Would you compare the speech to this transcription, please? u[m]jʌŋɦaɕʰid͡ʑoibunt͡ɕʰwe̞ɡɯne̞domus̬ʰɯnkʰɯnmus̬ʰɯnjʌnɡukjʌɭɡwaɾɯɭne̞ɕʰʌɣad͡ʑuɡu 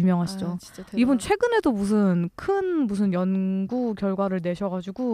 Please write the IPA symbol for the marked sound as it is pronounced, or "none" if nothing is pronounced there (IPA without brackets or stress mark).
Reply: m